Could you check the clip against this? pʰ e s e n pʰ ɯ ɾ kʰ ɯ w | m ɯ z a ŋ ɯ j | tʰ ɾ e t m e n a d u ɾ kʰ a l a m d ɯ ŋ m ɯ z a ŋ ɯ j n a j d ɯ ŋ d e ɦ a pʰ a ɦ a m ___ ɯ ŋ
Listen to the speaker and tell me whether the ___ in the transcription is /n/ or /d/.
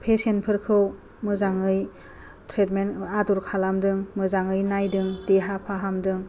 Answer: d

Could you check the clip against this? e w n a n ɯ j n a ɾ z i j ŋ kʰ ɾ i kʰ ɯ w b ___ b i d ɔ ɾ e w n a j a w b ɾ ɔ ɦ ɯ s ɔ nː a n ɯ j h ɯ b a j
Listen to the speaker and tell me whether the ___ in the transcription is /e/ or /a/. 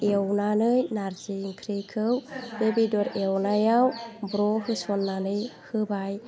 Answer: e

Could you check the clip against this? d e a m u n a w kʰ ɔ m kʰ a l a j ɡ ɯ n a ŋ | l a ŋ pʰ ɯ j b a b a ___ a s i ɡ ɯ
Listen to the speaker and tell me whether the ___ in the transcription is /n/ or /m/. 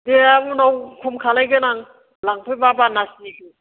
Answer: n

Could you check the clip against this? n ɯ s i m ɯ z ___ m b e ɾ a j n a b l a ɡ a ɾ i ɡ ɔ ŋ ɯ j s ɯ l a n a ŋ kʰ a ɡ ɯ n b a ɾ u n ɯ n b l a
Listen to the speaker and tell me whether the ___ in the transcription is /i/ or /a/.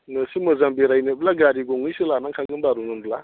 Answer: a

